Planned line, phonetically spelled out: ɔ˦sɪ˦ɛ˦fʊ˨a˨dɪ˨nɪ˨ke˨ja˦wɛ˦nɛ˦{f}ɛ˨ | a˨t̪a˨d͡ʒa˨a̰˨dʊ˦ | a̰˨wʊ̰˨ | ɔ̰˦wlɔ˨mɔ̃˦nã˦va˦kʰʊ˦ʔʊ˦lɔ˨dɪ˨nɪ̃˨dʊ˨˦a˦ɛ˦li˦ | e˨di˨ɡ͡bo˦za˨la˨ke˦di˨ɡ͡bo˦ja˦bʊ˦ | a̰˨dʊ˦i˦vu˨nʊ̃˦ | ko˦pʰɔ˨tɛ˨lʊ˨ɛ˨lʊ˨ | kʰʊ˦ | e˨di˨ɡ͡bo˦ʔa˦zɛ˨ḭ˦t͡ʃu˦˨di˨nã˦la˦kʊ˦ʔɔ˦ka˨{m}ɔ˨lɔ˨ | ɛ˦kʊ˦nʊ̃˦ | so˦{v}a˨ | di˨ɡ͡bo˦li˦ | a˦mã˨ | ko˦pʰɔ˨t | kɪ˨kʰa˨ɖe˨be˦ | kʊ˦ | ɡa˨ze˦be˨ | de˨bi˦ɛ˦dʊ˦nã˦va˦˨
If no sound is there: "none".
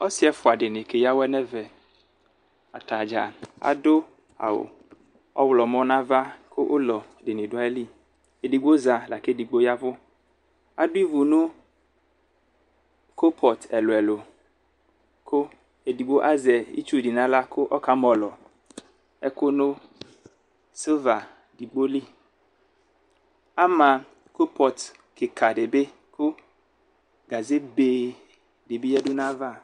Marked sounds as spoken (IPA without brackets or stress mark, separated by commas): v, m, v